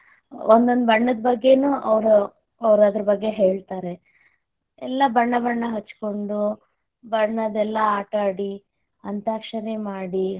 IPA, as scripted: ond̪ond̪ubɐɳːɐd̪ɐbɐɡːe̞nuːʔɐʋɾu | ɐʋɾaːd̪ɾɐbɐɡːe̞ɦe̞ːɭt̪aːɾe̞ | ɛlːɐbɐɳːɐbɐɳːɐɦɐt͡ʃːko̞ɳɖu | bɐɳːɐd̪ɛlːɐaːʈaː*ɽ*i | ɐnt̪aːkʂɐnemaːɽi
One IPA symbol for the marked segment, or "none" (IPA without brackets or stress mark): ɽ